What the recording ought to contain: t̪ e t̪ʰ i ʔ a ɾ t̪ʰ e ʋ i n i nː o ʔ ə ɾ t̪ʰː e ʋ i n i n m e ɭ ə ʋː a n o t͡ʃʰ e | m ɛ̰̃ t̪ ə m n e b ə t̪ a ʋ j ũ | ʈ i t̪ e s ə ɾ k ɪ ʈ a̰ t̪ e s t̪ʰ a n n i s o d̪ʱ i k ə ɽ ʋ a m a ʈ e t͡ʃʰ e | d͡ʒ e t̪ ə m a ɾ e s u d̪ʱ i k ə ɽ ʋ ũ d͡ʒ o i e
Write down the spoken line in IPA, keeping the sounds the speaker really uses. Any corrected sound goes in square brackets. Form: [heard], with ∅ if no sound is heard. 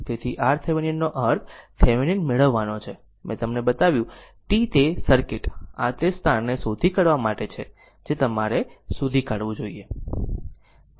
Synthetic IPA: t̪ e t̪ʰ i ʔ a ɾ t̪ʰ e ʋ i n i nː o ʔ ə ɾ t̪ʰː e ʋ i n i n m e ɭ ə ʋː a n o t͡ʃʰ e | m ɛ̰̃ t̪ ə m n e b ə t̪ a ʋ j ũ | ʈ i t̪ e s ə ɾ k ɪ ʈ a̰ t̪ e s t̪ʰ a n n [e] s o d̪ʱ i k ə ɽ ʋ a m a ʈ e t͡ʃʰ e | d͡ʒ e t̪ ə m a ɾ e s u d̪ʱ i k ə ɽ ʋ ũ d͡ʒ o i e